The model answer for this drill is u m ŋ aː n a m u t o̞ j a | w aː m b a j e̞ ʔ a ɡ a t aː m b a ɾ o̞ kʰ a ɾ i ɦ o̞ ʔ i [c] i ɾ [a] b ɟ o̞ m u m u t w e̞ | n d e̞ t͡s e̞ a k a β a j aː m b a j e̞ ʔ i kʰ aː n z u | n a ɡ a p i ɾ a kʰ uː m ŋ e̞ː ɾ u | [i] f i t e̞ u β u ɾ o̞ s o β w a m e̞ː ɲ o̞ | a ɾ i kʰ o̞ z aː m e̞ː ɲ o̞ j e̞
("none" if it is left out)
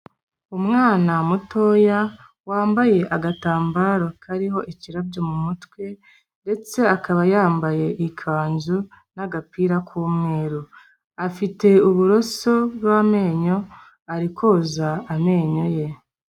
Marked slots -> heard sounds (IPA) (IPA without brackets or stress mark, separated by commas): c, a, a